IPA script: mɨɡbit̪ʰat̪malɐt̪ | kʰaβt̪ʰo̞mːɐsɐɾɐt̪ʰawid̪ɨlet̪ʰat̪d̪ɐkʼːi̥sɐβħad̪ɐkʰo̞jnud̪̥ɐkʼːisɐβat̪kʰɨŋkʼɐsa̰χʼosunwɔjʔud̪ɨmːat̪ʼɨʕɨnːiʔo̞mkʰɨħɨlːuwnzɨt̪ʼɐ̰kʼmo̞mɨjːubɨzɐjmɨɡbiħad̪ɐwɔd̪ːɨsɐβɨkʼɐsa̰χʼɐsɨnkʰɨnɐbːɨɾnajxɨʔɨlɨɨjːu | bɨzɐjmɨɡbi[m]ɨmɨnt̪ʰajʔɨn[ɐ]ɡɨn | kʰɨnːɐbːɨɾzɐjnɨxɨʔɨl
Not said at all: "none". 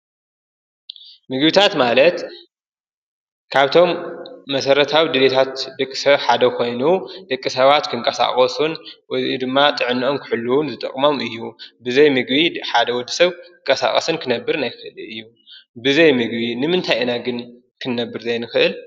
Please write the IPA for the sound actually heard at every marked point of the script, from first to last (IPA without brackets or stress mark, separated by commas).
n, a